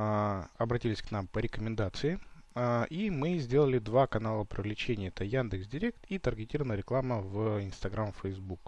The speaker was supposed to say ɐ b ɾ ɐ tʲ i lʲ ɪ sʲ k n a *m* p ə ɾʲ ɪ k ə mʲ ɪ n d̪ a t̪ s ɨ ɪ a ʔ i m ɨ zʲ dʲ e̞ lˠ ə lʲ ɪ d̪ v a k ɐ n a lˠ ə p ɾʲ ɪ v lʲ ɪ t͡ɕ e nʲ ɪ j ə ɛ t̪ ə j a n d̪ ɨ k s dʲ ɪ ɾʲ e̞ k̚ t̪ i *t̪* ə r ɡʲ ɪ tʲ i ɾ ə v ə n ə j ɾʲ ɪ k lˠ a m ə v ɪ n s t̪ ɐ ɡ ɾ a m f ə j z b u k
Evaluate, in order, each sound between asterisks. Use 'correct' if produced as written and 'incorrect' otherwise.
correct, correct

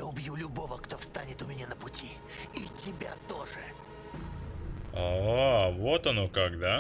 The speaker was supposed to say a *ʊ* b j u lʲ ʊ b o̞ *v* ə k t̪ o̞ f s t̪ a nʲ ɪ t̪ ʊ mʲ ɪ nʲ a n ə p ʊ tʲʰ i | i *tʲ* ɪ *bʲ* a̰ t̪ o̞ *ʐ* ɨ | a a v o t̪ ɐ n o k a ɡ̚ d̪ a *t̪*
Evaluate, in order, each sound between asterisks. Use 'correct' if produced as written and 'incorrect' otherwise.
correct, correct, correct, correct, correct, incorrect: none

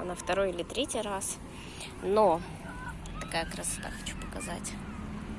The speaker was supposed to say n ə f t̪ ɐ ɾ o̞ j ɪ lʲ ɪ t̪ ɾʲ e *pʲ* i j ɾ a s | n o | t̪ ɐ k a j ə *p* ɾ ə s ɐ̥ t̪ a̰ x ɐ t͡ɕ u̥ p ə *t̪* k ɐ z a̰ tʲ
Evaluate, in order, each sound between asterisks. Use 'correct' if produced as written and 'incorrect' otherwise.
incorrect: tʲ, incorrect: k, incorrect: none

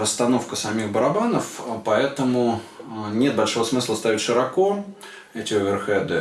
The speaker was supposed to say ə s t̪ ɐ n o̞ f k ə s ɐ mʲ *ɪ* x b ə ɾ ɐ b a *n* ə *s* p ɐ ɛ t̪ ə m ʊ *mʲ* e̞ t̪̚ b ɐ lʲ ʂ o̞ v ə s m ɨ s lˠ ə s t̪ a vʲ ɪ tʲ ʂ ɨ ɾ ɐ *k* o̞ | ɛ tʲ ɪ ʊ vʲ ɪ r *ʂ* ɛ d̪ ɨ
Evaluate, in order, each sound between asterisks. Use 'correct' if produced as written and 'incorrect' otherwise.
incorrect: i, correct, incorrect: f, incorrect: nʲ, correct, incorrect: x

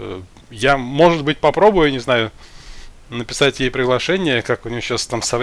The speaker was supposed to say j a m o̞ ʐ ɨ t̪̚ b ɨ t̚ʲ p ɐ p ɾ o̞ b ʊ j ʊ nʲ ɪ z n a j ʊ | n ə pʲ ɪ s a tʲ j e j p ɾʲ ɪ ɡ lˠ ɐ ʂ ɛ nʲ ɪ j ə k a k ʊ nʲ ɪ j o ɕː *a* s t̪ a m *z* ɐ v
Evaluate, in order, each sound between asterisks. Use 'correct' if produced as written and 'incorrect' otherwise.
correct, incorrect: s

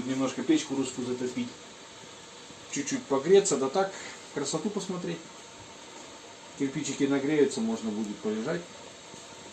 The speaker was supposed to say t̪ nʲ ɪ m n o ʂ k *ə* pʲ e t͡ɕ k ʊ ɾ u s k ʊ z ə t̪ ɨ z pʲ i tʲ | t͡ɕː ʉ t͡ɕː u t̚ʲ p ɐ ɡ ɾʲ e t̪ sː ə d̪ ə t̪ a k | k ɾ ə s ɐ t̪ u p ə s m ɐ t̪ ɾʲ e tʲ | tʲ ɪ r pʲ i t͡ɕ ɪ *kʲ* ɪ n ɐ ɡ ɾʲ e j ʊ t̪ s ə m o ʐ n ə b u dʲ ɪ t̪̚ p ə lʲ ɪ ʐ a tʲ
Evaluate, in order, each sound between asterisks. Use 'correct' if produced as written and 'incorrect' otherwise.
correct, correct

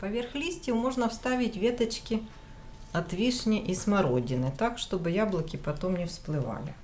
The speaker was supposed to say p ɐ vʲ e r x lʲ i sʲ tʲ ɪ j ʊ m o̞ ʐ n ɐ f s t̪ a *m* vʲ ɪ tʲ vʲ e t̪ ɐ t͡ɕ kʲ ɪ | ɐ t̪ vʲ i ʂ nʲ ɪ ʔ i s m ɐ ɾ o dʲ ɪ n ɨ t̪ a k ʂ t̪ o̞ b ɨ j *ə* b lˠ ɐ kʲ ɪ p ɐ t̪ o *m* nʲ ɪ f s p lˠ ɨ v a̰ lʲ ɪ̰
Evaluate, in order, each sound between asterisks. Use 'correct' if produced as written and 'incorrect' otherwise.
incorrect: none, incorrect: a, correct

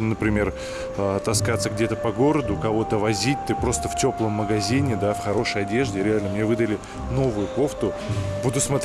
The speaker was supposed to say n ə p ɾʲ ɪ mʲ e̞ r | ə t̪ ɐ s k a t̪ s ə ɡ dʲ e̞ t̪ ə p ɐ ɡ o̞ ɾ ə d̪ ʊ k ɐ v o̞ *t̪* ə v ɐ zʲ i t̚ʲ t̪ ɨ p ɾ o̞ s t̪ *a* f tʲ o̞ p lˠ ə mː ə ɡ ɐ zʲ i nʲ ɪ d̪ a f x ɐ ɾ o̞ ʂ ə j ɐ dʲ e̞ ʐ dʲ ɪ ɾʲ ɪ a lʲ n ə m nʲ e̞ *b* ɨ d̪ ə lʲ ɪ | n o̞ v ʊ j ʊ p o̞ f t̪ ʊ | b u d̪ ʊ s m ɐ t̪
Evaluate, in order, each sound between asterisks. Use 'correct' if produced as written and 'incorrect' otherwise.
correct, incorrect: ə, incorrect: v

